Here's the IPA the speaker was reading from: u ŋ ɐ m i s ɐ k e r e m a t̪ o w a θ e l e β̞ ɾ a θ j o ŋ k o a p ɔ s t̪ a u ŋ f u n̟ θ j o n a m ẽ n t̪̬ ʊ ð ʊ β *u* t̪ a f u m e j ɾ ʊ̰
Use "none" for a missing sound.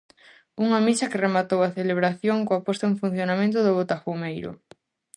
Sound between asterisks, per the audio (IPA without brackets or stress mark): o